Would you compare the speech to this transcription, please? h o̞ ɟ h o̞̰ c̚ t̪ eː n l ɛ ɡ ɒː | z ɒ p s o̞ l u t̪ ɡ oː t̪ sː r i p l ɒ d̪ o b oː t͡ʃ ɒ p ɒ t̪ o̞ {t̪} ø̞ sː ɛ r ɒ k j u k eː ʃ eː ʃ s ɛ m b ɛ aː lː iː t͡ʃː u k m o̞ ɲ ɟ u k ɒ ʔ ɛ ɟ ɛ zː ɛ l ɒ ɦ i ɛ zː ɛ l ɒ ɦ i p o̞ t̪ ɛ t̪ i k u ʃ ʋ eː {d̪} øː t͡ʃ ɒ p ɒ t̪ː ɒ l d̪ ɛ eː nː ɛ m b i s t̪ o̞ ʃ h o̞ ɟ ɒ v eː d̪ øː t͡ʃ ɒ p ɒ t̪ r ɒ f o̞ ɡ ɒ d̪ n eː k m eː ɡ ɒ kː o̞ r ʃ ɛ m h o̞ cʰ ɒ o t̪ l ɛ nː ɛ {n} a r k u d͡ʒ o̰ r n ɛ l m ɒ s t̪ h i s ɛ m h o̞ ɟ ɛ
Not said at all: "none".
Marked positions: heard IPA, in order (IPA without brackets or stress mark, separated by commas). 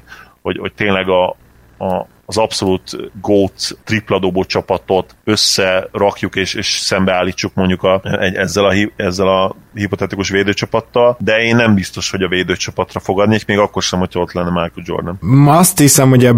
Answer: t̪, d̪, m